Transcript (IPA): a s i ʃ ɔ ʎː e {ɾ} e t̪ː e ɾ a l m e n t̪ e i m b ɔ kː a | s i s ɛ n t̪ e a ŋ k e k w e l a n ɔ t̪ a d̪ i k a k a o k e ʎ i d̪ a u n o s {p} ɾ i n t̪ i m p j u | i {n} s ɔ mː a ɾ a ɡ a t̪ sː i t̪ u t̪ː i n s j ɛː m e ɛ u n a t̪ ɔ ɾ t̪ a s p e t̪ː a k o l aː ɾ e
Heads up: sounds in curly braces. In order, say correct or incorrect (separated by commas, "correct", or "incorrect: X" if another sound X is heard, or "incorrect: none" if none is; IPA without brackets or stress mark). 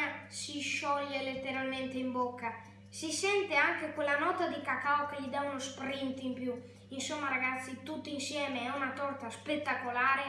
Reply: incorrect: l, correct, correct